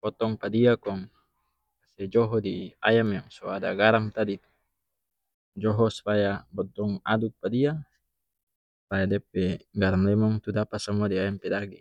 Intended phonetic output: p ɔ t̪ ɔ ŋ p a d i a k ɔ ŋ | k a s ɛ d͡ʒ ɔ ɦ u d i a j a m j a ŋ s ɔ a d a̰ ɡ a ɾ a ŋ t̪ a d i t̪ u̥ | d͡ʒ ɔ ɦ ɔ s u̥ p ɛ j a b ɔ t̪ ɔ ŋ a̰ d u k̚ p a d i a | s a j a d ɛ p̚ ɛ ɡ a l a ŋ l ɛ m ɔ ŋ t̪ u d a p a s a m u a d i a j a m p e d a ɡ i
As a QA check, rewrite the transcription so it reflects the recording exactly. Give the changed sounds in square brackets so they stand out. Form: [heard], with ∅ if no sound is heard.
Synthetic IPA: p ɔ t̪ ɔ ŋ p a d i a k ɔ ŋ | k a s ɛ d͡ʒ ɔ ɦ [ɔ] d i a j a m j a ŋ s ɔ a d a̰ ɡ a ɾ a ŋ t̪ a d i t̪ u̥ | d͡ʒ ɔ ɦ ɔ s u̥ p [a] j a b ɔ t̪ ɔ ŋ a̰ d u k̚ p a d i a | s a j a d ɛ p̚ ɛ ɡ a [ɾ] a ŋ l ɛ m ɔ ŋ t̪ u d a p a s a m u a d i a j a m p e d a ɡ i

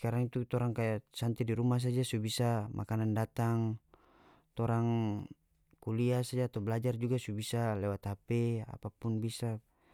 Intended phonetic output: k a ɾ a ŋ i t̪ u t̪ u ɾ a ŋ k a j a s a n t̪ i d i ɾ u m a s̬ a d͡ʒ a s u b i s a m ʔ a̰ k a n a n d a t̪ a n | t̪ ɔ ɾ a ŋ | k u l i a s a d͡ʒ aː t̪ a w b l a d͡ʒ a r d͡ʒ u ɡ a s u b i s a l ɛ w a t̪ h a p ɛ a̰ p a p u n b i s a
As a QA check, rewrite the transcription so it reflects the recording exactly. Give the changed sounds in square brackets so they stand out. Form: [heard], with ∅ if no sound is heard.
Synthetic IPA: k a ɾ a ŋ i t̪ u t̪ [ɔ] ɾ a ŋ k a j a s a n t̪ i d i ɾ u m a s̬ a d͡ʒ a s u b i s a m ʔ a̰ k a n a n d a t̪ a [ŋ] | t̪ ɔ ɾ a ŋ | k u l i a s a d͡ʒ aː t̪ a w b l a d͡ʒ a r d͡ʒ u ɡ a s u b i s a l ɛ w a t̪ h a p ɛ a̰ p a p u n b i s a

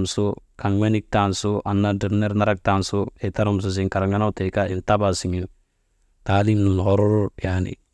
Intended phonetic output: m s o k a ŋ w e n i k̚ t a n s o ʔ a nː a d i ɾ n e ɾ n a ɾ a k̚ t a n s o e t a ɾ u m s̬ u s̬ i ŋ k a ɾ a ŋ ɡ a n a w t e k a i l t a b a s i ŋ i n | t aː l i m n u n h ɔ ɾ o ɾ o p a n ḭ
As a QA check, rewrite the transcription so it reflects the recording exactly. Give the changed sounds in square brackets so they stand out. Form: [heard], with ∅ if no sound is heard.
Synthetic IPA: m s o k a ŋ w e n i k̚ t a n s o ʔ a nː a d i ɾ n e ɾ n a ɾ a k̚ t a n s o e t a ɾ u m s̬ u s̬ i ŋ k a ɾ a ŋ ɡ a n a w t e k a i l t a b a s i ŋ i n | t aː l i m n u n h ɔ ɾ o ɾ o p a n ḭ

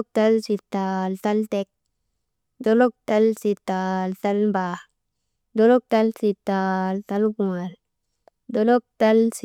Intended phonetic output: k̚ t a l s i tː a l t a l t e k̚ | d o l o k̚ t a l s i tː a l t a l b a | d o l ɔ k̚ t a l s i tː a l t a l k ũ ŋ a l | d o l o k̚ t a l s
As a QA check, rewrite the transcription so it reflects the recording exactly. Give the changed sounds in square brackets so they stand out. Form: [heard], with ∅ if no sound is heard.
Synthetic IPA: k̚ t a l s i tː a l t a l t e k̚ | d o l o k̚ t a l s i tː a l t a l b a | d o l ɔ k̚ t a l s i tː a l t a l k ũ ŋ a l | d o l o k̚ t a l s

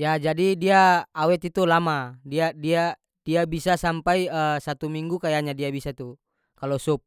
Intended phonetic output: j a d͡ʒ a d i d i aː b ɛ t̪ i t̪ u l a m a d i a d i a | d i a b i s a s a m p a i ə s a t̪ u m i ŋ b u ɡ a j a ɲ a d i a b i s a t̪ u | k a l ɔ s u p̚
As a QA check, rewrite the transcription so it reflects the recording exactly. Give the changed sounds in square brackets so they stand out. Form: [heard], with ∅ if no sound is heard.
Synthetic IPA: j a d͡ʒ a d i d i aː [w] ɛ t̪ i t̪ u l a m a d i a d i a | d i a b i s a s a m p a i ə s a t̪ u m i ŋ [ɡ] u [k] a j a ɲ a d i a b i s a t̪ u | k a l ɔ s u p̚

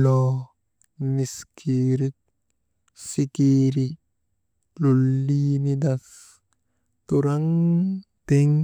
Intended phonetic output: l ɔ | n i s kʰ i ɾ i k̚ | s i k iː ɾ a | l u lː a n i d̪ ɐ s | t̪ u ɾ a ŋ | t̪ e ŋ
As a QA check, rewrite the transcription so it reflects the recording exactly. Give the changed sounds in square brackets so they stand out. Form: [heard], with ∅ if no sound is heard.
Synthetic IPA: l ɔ | n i s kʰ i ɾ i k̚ | s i k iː ɾ [i] | l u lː [i] n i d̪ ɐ s | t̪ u ɾ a ŋ | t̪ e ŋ

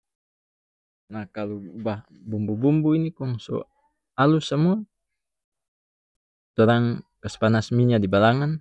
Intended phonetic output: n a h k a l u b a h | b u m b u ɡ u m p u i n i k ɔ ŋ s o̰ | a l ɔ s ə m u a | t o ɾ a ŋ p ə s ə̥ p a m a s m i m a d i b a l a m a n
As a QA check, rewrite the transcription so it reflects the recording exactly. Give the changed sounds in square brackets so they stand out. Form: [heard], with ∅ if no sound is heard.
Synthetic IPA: n a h k a l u b a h | b u m b u [b] u m [b] u i n i k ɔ ŋ s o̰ | a l [u] s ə m u a | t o ɾ a ŋ [k] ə s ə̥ p a [n] a s m i [ɲ] a d i b a l a [ŋ] a n

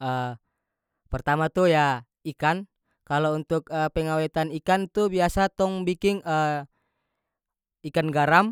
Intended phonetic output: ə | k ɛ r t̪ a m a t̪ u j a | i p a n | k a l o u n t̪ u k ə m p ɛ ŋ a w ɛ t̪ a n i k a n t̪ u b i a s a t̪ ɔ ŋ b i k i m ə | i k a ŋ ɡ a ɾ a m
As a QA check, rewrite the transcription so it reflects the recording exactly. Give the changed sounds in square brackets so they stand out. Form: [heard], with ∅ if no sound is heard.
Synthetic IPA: ə | [p] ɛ r t̪ a m a t̪ u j a | i [k] a n | k a l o u n t̪ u k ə [∅] p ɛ ŋ a w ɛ t̪ a n i k a n t̪ u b i a s a t̪ ɔ ŋ b i k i [ŋ] ə | i k a [n] ɡ a ɾ a m

